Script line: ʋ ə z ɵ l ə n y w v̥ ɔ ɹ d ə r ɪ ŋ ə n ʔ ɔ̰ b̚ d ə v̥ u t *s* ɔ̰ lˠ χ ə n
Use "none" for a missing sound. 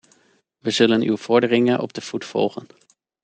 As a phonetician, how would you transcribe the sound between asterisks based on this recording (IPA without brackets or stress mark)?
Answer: f